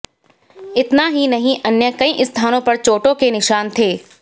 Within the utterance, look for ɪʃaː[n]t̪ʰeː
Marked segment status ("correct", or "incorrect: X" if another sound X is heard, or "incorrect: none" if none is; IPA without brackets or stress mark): correct